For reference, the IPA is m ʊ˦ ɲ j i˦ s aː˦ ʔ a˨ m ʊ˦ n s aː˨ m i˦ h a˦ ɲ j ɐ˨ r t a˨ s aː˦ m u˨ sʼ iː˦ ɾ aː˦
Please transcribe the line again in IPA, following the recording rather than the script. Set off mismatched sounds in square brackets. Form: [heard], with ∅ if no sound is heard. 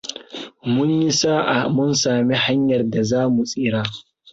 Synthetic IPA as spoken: m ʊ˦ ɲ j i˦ s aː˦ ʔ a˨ m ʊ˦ n s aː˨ m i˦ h a˦ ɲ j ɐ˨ r [d] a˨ [z] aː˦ m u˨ sʼ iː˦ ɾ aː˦

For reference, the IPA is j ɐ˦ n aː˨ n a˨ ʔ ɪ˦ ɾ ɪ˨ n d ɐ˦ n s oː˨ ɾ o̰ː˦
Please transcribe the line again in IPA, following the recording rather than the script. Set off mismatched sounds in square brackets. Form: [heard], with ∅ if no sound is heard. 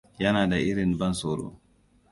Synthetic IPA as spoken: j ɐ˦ n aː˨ [d] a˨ ʔ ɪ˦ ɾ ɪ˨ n [b] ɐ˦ n s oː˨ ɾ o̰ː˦

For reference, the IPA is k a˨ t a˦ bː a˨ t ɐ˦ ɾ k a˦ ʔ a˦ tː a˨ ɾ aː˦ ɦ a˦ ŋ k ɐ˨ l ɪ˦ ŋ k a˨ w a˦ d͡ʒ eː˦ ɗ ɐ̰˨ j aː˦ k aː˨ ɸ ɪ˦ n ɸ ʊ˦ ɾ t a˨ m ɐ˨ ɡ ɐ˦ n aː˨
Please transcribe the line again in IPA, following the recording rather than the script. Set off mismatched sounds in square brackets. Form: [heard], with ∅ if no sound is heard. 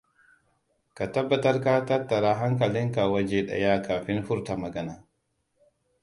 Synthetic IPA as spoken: k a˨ t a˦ bː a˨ t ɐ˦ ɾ k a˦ [t] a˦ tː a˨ ɾ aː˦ ɦ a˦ ŋ k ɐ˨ l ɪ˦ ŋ k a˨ w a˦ d͡ʒ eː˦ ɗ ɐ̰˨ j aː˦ k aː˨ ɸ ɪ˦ n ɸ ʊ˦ ɾ t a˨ m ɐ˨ ɡ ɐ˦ n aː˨

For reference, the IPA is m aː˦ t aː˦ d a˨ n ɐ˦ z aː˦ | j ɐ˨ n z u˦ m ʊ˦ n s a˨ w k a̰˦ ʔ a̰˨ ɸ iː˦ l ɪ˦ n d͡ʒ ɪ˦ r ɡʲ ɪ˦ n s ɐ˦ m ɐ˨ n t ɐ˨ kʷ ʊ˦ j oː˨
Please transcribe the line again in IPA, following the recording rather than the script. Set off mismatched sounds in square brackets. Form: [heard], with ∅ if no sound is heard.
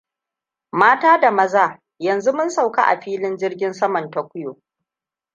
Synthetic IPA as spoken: m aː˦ t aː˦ d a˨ [m] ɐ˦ z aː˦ | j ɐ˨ n z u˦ m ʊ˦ n s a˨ w k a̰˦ ʔ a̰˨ ɸ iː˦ l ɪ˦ n d͡ʒ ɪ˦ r ɡʲ ɪ˦ n s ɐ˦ m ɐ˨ n t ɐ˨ kʷ ʊ˦ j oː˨

